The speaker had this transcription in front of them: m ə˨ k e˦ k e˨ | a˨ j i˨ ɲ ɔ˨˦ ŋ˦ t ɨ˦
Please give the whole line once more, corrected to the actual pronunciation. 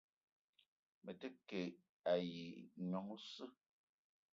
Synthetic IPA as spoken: m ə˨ t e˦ k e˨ | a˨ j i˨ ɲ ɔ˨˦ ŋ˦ s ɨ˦